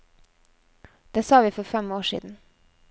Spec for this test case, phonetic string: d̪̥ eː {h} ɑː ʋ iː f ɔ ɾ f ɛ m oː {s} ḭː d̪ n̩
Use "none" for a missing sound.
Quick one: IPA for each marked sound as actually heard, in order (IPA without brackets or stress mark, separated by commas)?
s, ʃ